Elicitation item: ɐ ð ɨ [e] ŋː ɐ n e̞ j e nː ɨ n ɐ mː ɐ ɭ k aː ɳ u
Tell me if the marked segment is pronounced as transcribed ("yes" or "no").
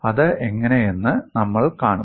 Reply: yes